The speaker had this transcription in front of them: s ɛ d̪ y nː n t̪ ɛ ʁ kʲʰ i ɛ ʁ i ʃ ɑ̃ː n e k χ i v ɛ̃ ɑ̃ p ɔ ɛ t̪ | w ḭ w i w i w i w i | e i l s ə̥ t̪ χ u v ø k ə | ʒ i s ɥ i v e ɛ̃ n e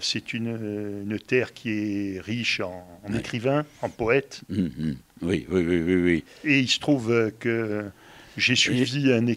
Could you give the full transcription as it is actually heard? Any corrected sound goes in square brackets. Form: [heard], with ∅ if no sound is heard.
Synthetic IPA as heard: s ɛ [t̪] y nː n t̪ ɛ ʁ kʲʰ i ɛ ʁ i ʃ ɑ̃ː n e k χ i v ɛ̃ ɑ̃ p ɔ ɛ t̪ | w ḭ w i w i w i w i | e i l s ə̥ t̪ χ u v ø k ə | ʒ [e] s ɥ i v [i] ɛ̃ n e